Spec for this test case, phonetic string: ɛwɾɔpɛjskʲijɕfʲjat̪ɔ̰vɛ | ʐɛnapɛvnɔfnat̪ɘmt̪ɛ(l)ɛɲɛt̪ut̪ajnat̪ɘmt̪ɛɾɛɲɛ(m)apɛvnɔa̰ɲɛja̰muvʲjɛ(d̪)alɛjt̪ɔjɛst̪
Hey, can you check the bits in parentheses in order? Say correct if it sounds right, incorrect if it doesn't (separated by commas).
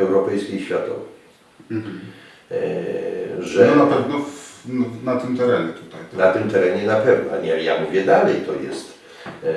incorrect, incorrect, correct